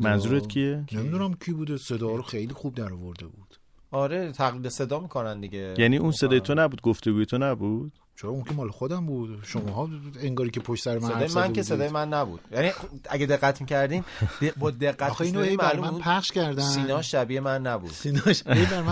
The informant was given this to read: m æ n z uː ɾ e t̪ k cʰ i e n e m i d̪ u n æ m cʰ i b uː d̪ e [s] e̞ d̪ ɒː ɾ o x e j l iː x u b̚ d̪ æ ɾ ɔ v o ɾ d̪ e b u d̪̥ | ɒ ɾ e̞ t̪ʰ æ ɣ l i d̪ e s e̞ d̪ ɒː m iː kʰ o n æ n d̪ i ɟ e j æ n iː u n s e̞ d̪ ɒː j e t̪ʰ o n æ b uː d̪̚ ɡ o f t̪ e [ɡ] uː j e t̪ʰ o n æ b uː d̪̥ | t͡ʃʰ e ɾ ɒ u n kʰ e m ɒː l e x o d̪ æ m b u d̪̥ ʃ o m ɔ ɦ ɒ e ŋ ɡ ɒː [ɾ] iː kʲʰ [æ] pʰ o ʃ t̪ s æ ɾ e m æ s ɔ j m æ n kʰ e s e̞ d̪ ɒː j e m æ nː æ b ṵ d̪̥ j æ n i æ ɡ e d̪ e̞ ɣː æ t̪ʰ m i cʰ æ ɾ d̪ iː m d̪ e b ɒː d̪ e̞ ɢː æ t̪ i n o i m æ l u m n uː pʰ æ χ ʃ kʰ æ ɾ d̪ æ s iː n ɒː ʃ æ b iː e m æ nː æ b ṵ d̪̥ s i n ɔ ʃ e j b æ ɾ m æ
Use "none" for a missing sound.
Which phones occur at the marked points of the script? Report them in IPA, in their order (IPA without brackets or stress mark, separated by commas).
s, ɡ, ɾ, e